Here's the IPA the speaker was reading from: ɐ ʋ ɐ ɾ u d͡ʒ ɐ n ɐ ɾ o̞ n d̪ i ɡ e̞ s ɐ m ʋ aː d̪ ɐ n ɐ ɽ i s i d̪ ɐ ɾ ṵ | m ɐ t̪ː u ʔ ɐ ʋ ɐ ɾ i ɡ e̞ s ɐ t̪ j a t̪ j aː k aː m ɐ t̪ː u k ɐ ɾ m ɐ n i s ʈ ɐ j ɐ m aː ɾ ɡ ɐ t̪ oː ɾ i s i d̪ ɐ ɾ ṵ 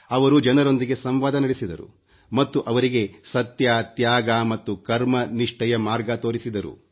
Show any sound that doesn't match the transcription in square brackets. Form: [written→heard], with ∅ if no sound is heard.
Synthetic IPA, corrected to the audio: ɐ ʋ ɐ ɾ u d͡ʒ ɐ n ɐ ɾ o̞ n d̪ i ɡ e̞ s ɐ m ʋ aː d̪ ɐ n ɐ ɽ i s i d̪ ɐ ɾ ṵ | m ɐ t̪ː u ʔ ɐ ʋ ɐ ɾ i ɡ e̞ s ɐ t̪ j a t̪ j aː [k→ɡ] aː m ɐ t̪ː u k ɐ ɾ m ɐ n i [s→ʂ] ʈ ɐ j ɐ m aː ɾ ɡ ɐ t̪ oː ɾ i s i d̪ ɐ ɾ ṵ